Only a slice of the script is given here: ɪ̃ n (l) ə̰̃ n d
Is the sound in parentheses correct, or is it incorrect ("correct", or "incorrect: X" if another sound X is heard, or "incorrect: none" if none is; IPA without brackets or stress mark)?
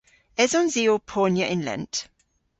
correct